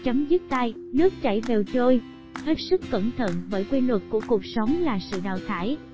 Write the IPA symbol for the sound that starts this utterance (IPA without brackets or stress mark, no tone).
t͡ɕ